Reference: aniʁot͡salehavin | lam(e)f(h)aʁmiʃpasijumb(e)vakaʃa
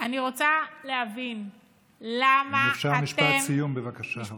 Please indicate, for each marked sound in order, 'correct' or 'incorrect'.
incorrect: a, incorrect: ʃ, correct

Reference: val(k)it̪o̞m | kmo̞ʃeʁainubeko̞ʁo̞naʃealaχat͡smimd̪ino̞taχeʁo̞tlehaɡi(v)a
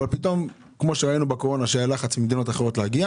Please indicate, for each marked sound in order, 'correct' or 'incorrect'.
incorrect: p, incorrect: none

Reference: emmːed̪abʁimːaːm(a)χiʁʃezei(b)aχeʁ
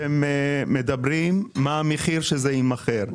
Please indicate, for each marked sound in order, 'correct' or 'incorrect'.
incorrect: e, incorrect: m

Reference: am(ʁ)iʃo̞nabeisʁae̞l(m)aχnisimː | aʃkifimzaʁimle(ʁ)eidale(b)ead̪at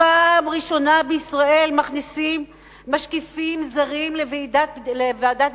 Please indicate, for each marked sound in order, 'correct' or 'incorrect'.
correct, correct, incorrect: v, incorrect: v

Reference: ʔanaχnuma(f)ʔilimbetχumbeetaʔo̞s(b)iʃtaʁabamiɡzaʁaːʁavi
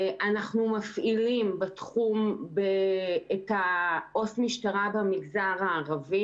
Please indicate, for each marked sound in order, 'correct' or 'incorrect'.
correct, incorrect: m

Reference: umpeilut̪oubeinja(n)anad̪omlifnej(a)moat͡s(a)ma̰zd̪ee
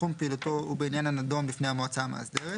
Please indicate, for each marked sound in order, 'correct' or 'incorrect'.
correct, correct, correct

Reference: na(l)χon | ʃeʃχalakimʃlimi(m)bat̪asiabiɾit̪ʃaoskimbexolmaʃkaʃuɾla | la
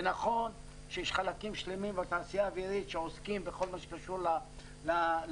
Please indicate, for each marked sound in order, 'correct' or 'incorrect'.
incorrect: none, correct

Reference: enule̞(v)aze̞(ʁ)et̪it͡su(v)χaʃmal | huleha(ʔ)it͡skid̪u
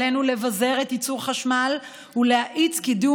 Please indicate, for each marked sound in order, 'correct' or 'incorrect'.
correct, correct, incorrect: ʁ, correct

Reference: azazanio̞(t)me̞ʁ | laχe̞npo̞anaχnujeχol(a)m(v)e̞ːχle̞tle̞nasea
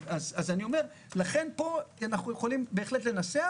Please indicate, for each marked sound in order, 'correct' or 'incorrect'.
incorrect: none, incorrect: i, incorrect: b

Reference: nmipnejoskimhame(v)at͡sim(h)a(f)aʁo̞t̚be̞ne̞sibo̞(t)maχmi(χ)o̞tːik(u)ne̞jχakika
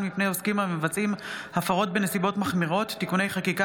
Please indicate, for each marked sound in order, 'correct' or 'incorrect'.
correct, correct, correct, correct, incorrect: ʁ, correct

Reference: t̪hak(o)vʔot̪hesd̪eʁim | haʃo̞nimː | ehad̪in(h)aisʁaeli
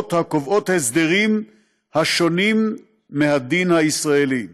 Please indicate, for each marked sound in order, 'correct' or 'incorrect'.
correct, correct

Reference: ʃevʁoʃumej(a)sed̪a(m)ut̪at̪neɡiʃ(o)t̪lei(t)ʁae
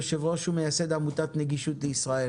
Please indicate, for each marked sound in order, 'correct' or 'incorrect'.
correct, correct, incorrect: u, incorrect: s

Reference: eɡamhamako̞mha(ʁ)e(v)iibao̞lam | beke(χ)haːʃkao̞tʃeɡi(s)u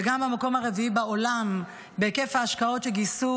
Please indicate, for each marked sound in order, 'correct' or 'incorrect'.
correct, correct, incorrect: f, correct

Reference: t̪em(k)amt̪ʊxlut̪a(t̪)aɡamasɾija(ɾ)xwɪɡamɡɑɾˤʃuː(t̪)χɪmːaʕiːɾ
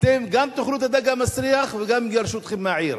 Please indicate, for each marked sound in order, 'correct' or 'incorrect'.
incorrect: ɡ, incorrect: d̪, incorrect: none, correct

